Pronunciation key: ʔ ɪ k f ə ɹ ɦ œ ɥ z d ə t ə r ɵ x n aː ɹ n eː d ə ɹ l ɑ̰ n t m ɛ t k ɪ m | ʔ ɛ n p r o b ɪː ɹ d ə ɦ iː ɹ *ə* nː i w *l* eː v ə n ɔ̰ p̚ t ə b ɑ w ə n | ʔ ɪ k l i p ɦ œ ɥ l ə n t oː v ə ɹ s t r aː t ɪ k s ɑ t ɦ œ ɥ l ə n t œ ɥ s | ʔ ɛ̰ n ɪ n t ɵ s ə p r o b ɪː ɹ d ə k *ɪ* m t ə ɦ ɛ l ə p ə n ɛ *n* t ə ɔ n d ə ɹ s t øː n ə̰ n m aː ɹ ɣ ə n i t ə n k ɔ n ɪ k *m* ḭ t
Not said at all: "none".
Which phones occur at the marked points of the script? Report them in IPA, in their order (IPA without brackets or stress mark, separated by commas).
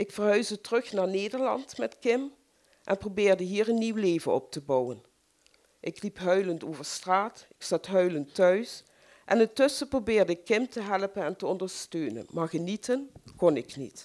ə, l, ɪ, n, n